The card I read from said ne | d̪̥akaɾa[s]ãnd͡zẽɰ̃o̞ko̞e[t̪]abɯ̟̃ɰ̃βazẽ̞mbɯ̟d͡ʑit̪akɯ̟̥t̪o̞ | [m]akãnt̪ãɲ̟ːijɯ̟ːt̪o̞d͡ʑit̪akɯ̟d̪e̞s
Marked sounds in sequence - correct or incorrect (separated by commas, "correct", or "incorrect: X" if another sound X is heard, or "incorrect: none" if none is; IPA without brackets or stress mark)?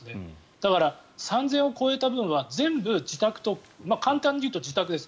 correct, correct, correct